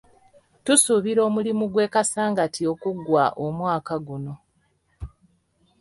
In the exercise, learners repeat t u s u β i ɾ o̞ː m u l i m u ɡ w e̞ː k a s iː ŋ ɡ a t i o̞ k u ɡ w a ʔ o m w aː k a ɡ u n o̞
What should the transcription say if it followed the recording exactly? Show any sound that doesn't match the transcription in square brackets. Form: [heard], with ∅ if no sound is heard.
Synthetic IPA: t u s u β i ɾ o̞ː m u l i m u ɡ w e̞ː k a s [aː] ŋ ɡ a t i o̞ k u ɡ w a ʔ o m w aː k a ɡ u n o̞